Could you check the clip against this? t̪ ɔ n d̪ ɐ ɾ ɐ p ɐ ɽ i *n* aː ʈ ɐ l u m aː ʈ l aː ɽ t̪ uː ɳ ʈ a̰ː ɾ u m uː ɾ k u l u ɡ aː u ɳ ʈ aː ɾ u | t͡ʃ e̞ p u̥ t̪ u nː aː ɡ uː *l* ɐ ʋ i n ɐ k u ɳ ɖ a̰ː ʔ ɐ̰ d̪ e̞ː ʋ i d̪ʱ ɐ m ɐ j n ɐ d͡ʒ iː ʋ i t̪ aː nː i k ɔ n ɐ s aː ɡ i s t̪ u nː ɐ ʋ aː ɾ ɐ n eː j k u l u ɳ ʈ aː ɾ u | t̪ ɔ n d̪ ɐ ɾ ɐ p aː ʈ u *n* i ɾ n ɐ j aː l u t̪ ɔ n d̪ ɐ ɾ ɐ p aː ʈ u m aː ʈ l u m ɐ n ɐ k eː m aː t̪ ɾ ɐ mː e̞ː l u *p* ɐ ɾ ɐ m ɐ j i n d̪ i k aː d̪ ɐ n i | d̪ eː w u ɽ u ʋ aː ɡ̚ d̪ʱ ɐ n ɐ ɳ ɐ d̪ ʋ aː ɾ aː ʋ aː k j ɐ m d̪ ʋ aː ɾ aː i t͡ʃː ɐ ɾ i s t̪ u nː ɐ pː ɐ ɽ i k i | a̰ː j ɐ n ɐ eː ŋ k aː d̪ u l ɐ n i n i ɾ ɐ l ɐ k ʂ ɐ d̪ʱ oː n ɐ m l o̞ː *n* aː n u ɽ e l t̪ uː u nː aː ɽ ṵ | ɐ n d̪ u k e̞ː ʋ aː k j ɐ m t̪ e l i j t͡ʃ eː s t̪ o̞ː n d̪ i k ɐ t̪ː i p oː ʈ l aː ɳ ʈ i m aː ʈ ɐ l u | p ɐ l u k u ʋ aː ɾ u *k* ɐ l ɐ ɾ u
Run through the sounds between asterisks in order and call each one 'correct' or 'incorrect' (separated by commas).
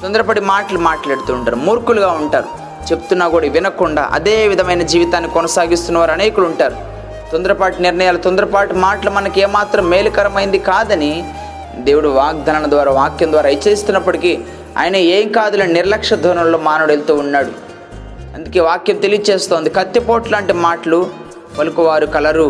incorrect, incorrect, correct, incorrect, incorrect, correct